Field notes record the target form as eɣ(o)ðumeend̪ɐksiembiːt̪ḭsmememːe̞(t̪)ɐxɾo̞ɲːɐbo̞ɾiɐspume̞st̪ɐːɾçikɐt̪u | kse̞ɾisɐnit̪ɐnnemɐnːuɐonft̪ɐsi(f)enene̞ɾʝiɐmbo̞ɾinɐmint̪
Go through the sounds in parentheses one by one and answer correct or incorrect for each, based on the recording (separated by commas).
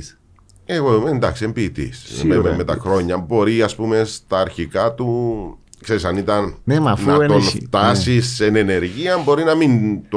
correct, correct, incorrect